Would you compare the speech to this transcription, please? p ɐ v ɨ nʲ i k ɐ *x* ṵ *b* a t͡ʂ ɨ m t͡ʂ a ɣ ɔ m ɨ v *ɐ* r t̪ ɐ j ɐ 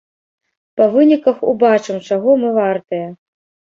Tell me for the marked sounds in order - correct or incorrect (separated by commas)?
correct, correct, incorrect